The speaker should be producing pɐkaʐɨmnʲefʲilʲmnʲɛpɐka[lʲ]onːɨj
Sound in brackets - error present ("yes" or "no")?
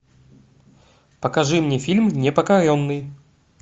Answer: yes